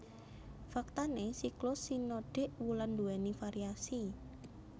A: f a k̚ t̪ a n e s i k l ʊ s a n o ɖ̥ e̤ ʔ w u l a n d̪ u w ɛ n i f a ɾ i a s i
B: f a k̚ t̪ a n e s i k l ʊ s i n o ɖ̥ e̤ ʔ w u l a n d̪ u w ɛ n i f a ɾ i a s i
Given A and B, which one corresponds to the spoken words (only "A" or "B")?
B